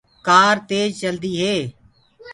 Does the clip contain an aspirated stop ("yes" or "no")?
no